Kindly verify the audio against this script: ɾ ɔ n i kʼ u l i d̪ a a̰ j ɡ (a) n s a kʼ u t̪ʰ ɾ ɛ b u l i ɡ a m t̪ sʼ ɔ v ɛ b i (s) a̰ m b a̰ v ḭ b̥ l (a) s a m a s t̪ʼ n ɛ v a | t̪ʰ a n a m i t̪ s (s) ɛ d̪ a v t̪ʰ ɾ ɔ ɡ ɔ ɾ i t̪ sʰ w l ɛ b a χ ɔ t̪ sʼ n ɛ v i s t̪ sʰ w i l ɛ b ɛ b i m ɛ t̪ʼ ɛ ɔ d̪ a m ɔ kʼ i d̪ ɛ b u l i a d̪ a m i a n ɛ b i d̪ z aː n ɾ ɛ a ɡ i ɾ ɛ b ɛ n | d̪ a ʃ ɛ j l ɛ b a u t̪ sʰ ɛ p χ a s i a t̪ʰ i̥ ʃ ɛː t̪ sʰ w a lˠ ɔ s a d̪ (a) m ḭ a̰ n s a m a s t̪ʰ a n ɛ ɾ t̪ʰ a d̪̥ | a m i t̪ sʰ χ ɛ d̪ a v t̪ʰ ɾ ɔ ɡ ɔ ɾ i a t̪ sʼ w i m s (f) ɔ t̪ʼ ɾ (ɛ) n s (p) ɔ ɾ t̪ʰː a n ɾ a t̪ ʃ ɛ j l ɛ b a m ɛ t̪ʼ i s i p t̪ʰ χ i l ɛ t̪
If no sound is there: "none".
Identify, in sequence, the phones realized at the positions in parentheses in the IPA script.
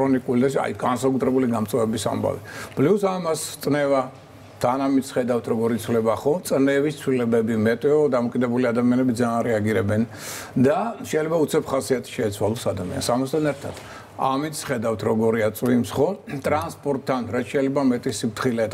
a, s, i, χ, a, χ, a, pʼ

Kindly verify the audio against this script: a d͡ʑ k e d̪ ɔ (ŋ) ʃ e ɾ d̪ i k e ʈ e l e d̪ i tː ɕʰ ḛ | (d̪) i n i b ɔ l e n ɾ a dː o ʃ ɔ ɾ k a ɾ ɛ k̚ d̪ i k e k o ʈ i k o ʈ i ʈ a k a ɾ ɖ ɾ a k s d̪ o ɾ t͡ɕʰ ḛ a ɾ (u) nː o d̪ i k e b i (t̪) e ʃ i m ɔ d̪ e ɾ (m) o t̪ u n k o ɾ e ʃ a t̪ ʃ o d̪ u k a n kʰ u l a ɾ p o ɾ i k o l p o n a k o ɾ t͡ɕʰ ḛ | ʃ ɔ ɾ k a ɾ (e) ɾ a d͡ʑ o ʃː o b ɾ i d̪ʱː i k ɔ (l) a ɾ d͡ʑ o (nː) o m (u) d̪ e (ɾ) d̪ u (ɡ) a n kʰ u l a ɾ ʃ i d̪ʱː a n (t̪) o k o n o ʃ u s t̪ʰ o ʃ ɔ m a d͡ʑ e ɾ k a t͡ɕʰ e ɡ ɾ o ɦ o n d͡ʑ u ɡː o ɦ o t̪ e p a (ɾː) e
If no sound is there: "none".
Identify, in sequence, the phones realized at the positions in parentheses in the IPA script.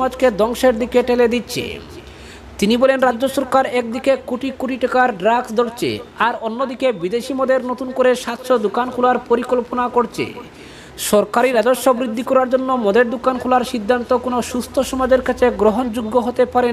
ŋ, t̪, o, d̪, n, i, ɾ, nː, ɔ, ɾ, k, t̪, ɾ

